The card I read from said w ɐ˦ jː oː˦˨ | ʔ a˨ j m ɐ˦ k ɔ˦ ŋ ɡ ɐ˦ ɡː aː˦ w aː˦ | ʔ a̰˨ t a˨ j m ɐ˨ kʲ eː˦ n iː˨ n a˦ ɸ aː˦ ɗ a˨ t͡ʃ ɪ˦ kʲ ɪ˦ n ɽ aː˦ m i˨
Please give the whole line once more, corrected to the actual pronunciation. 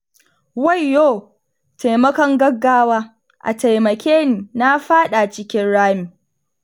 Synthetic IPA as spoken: w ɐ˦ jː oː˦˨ | t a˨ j m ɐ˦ k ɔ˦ ŋ ɡ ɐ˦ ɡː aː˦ w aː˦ | ʔ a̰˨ t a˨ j m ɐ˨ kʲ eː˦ n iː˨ n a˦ ɸ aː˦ ɗ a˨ t͡ʃ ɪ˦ kʲ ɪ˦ n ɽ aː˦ m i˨